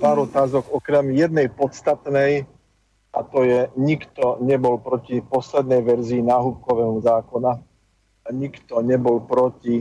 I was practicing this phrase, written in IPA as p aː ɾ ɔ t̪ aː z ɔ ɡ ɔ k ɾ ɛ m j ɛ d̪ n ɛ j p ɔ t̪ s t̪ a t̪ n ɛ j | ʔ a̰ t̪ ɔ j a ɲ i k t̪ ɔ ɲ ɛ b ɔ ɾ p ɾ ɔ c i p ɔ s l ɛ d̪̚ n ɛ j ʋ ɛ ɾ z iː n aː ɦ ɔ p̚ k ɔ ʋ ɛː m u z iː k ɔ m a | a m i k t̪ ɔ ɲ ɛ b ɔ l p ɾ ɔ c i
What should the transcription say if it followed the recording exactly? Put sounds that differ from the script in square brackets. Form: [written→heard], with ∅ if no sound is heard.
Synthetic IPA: p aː ɾ ɔ t̪ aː z ɔ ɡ ɔ k ɾ ɛ m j ɛ d̪ n ɛ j p ɔ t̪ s t̪ a t̪ n ɛ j | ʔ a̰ t̪ ɔ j [a→ɛ] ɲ i k t̪ ɔ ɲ ɛ b ɔ [ɾ→l] p ɾ ɔ c i p ɔ s l ɛ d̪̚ n ɛ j ʋ ɛ ɾ z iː n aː ɦ [ɔ→u] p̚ k ɔ ʋ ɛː m u z [iː→aː] k ɔ [m→n] a | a [m→ɲ] i k t̪ ɔ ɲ ɛ b ɔ l p ɾ ɔ c i